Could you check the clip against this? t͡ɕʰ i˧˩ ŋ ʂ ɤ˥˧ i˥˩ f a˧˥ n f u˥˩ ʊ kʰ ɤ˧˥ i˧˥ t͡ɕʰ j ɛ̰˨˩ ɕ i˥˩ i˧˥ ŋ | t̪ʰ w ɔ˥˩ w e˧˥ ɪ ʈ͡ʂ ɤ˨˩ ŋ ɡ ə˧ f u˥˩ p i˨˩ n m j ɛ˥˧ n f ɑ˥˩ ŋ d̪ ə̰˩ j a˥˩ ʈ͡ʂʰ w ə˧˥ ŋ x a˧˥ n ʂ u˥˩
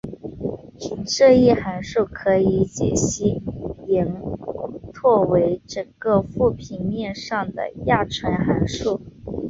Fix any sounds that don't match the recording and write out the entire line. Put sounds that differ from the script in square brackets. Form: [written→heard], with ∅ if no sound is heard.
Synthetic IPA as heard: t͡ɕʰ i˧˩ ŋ ʂ ɤ˥˧ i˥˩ [f→x] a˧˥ n [f→ʂ] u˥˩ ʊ kʰ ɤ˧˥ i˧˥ [t͡ɕʰ→t͡ɕ] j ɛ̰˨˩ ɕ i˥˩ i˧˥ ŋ | t̪ʰ w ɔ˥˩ w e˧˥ ɪ ʈ͡ʂ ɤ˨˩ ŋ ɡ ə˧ f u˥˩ [p→pʰ] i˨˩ n m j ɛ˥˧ n [f→ʂ] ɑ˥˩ ŋ d̪ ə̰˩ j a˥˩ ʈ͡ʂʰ w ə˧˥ [ŋ→n] x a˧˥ n ʂ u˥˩